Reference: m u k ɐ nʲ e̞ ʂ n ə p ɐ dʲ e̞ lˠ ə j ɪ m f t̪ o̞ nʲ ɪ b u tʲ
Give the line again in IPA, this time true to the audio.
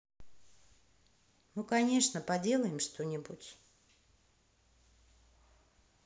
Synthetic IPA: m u k ɐ nʲ e̞ ʂ n ə p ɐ dʲ e̞ lˠ ə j ɪ m ʂ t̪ o̞ nʲ ɪ b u tʲ